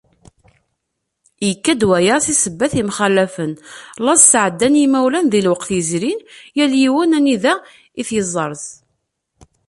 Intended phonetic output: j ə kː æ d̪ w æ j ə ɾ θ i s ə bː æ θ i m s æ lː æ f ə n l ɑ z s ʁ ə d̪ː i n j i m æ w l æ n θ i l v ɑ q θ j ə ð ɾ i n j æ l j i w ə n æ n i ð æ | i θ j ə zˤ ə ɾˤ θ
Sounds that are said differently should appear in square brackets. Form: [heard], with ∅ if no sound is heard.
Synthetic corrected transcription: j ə kː æ d̪ w æ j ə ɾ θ i s ə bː æ θ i m [χ] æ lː æ f ə n l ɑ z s [ʕ] ə d̪ː [æ] n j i m æ w l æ n [ð] i l [w] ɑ q θ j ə [z] ɾ i n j æ l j i w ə n æ n i ð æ | i θ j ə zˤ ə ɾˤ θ